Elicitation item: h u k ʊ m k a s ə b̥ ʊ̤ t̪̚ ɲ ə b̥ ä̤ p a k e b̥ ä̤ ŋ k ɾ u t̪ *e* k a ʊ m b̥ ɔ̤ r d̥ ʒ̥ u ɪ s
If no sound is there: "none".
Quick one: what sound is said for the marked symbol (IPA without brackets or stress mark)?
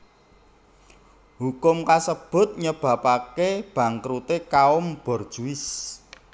e